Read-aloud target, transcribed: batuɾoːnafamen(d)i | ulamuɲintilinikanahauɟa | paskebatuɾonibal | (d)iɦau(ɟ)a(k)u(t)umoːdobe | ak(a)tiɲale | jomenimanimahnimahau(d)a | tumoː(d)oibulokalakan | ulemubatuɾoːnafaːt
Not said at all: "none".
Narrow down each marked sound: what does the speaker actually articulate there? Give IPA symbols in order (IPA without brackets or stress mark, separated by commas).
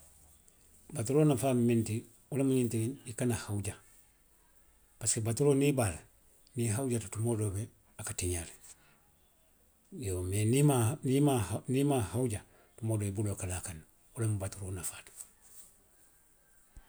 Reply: t, n, ɟ, t, t, a, ɟ, d